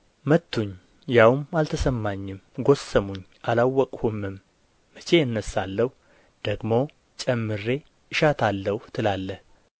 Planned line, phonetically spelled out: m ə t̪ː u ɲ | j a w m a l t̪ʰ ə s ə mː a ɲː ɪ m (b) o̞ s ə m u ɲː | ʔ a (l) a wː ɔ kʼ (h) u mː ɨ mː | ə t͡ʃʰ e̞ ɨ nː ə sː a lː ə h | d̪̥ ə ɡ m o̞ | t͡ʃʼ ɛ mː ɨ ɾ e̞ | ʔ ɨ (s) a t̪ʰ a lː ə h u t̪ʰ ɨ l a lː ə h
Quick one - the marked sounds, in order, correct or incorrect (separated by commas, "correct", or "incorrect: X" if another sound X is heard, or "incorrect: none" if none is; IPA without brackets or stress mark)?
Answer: incorrect: ɡ, correct, correct, incorrect: ʃ